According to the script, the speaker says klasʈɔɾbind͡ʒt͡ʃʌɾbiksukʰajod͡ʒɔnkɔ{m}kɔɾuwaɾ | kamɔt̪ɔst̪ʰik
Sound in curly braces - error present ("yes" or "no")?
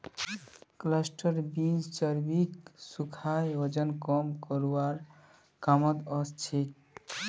no